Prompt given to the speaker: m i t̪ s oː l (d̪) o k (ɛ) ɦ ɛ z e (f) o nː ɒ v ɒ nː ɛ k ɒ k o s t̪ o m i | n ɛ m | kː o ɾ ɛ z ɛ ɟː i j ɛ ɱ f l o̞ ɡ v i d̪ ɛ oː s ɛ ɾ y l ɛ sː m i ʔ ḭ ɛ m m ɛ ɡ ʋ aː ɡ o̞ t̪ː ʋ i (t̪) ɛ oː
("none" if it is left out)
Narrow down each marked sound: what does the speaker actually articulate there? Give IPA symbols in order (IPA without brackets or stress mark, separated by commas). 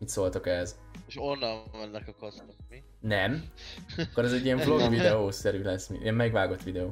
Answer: t̪, ɛ, ʃ, d̪